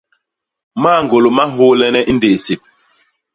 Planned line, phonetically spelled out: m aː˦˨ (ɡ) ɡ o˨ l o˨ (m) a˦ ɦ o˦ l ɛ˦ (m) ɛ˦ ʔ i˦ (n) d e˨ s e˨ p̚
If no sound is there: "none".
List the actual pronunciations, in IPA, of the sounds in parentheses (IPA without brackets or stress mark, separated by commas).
ŋ, m, n, n